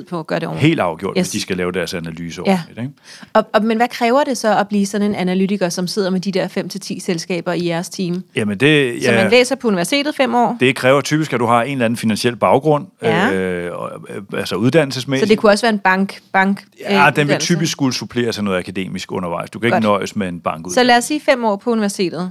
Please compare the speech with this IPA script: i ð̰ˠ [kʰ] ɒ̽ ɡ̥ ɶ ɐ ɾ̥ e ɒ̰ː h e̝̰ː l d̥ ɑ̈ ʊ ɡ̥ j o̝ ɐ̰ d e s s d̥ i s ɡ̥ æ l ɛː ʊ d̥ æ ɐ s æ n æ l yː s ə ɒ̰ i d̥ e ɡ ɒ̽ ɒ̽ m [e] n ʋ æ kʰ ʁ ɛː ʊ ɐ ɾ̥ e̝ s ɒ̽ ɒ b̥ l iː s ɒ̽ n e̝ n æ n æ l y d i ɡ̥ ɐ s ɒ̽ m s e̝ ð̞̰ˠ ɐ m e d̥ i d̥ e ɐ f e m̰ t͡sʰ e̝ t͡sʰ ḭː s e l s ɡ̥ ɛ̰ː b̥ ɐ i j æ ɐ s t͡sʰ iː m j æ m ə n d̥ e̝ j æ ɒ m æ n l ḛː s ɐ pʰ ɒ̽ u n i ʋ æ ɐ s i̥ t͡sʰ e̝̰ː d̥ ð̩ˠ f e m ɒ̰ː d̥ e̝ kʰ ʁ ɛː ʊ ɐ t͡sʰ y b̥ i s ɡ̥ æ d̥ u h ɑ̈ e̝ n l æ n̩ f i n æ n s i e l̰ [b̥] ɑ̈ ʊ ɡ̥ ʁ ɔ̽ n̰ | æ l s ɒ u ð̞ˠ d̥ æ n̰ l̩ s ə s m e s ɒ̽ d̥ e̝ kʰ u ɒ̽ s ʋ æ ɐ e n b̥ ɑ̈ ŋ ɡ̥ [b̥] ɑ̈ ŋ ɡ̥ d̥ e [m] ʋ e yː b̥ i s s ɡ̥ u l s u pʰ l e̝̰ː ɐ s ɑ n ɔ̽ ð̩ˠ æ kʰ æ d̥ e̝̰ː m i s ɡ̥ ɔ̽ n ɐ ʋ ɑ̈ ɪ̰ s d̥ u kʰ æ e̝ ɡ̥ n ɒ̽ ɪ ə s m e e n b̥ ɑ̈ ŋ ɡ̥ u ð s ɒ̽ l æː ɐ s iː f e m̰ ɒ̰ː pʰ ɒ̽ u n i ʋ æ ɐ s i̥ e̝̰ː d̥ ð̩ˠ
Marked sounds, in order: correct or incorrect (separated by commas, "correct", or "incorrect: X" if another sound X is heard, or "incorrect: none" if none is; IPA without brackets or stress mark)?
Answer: incorrect: pʰ, correct, correct, correct, incorrect: n